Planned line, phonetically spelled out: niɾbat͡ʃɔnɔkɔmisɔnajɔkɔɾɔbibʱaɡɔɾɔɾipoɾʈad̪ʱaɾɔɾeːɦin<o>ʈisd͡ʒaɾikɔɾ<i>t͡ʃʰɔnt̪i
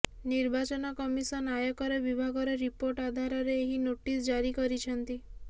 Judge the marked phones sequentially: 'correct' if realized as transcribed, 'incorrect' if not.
correct, correct

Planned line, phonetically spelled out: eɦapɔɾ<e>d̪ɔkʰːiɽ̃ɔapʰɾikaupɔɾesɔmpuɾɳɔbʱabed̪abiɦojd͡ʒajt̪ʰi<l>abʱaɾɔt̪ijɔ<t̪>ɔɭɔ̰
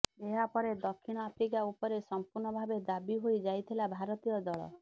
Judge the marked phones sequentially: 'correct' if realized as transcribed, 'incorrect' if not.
correct, correct, incorrect: d̪

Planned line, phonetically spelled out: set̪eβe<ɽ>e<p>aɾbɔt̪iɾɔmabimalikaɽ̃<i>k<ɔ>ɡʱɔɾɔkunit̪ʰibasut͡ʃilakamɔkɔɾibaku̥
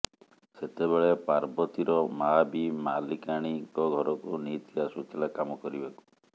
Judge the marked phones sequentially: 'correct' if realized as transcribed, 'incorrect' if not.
incorrect: ɭ, correct, correct, correct

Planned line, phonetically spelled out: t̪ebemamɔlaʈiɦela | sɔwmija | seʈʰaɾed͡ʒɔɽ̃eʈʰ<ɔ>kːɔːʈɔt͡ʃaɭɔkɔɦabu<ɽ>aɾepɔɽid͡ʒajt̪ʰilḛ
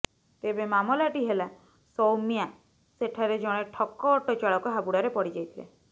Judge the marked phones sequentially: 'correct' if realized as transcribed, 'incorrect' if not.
correct, correct

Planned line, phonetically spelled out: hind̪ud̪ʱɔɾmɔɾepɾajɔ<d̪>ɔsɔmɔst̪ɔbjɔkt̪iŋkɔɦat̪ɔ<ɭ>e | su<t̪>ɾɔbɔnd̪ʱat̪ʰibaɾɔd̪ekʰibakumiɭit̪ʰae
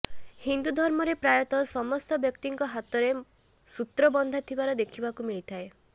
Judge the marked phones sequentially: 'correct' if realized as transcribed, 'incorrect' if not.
incorrect: t̪, incorrect: ɾ, correct

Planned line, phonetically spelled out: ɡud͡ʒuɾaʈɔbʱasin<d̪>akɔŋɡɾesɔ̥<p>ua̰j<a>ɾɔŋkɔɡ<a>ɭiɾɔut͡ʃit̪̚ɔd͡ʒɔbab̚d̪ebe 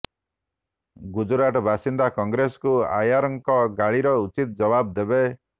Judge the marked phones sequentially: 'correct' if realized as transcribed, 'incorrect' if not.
correct, incorrect: k, correct, correct

